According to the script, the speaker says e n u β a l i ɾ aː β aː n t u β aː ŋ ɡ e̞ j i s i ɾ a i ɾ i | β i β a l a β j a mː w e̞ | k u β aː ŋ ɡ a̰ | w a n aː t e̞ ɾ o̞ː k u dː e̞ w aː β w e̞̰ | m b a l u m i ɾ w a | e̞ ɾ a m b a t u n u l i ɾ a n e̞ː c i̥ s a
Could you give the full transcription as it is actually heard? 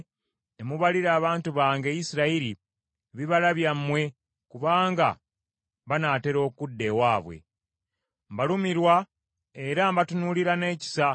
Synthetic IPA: e m u β a l i ɾ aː β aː n t u β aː ŋ ɡ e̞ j i s i ɾ a i ɾ i | β i β a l a β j a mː w e̞ | k u β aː ŋ ɡ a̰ | β a n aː t e̞ ɾ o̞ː k u dː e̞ w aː β w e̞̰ | m b a l u m i ɾ w a | e̞ ɾ a m b a t u n u l i ɾ a n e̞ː c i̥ s a